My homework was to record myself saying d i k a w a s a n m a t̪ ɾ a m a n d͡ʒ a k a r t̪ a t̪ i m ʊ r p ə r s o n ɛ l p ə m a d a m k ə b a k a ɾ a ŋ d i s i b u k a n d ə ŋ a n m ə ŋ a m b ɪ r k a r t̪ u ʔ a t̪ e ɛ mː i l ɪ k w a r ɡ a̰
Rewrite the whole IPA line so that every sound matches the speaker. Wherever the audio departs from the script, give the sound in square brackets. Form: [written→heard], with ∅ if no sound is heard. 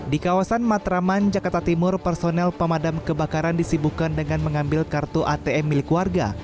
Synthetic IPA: d i k a w a s a n m a t̪ ɾ a m a n d͡ʒ a k a r t̪ a t̪ i m ʊ r p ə r s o n ɛ l p ə m a d a m k ə b a k a ɾ a [ŋ→n] d i s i b u k a n d ə ŋ a n m ə ŋ a m b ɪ [r→l] k a r t̪ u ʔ a t̪ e ɛ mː i l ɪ k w a r ɡ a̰